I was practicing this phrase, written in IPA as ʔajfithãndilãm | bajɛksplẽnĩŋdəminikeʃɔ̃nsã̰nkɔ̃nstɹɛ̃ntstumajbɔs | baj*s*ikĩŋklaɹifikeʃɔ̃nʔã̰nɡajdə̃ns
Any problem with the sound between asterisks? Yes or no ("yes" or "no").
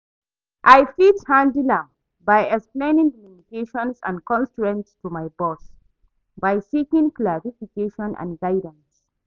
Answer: no